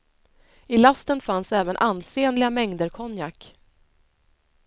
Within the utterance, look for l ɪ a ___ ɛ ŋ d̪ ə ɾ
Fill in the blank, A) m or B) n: A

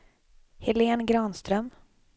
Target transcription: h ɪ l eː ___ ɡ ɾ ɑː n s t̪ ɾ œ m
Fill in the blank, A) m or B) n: B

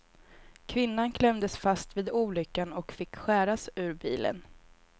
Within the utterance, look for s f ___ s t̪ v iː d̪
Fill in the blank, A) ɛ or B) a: B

